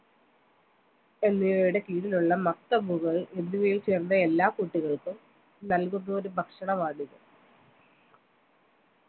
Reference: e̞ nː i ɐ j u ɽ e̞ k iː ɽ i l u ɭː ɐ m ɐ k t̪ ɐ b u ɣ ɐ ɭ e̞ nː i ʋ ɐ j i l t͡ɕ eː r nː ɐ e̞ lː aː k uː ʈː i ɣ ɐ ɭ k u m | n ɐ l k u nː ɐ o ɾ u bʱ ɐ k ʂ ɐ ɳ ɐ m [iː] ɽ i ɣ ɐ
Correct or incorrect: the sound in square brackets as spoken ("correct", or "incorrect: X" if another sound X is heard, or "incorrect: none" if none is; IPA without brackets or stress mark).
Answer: incorrect: aː